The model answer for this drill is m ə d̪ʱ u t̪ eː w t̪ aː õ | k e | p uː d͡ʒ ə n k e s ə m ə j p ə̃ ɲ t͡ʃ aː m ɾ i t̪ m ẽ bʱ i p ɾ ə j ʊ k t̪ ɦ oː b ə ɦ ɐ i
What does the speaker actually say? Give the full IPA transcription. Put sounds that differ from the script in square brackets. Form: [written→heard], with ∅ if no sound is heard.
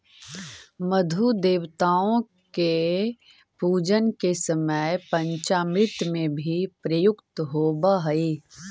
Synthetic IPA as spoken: m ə d̪ʱ u [t̪→d̪] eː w t̪ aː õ | k e | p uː d͡ʒ ə n k e s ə m ə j p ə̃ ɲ t͡ʃ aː m ɾ [i→ɪ] t̪ m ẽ bʱ i p ɾ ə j ʊ k t̪ ɦ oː b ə ɦ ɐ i